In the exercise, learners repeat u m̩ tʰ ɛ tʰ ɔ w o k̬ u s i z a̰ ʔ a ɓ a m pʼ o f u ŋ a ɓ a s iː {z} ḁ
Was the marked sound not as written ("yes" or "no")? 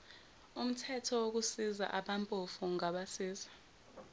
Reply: no